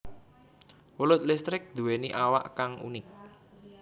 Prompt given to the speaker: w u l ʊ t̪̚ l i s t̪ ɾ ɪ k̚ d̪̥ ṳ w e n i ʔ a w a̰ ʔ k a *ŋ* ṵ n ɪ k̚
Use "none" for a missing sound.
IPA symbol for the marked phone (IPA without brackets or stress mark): ŋ